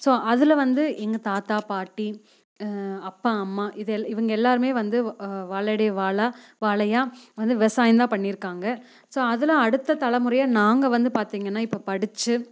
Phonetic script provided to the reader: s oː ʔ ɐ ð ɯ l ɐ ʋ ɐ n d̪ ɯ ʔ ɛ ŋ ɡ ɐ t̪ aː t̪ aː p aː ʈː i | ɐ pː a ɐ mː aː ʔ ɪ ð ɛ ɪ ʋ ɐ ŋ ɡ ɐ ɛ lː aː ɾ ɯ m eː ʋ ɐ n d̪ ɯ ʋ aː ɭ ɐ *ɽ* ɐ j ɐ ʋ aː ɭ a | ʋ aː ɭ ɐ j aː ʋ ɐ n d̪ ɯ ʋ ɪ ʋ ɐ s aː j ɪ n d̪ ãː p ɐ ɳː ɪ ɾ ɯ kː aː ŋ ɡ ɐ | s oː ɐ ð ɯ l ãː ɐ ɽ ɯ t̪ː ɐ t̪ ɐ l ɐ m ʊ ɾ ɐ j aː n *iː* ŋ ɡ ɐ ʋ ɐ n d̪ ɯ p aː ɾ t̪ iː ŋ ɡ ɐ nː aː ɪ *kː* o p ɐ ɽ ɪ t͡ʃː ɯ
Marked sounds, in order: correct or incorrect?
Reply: correct, incorrect, incorrect

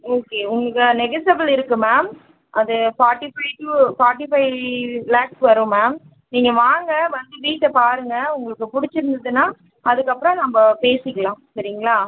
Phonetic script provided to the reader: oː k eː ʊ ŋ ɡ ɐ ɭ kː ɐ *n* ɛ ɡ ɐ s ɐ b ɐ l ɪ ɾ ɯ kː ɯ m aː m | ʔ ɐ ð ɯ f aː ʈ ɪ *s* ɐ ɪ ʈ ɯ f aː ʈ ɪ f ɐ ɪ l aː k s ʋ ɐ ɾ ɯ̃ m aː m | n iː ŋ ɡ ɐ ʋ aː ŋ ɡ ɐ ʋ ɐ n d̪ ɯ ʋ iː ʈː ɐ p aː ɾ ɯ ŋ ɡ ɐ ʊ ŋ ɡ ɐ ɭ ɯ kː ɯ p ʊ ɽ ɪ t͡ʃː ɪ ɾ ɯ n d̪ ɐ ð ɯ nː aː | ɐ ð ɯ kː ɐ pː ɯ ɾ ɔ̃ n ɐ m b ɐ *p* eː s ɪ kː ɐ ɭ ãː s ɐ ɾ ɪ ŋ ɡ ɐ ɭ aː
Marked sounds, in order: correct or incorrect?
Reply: correct, incorrect, correct

